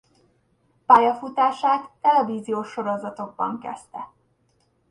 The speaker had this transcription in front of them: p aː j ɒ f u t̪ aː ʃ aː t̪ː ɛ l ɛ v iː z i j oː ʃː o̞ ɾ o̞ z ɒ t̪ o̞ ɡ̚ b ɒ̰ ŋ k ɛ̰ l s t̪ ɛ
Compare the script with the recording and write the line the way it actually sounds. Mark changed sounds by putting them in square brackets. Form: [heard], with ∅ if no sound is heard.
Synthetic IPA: p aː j ɒ f u t̪ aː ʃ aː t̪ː ɛ l ɛ v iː z i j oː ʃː o̞ ɾ o̞ z ɒ t̪ o̞ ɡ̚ b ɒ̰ ŋ k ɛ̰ [∅] s t̪ ɛ